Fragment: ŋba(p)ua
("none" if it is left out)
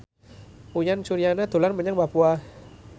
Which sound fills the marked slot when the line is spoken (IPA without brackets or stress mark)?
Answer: p